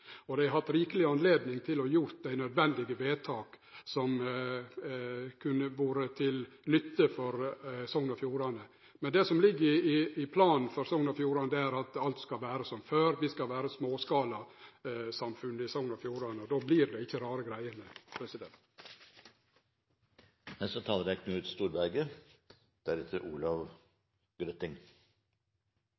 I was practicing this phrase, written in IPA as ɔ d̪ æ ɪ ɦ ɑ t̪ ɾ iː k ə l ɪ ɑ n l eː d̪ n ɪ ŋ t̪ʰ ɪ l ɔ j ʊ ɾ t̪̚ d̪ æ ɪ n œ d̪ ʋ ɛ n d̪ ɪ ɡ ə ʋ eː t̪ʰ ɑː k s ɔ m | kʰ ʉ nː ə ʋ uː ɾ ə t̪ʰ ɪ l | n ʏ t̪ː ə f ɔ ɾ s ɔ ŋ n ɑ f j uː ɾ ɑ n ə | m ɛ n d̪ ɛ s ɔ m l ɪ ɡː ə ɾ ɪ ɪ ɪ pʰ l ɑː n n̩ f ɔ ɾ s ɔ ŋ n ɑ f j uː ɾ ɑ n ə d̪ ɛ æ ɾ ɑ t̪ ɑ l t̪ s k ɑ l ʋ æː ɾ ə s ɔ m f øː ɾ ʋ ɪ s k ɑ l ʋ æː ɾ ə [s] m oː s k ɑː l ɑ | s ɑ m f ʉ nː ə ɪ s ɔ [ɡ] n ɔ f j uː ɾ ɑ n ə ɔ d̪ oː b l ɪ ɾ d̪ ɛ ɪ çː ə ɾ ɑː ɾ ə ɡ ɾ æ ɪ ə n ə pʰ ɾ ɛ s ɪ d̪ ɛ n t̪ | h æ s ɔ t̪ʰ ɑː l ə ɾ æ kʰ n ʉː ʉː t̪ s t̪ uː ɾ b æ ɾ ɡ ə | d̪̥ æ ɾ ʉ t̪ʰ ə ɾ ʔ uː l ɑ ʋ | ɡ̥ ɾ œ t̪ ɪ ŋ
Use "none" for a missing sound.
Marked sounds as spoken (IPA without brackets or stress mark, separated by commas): s, ŋ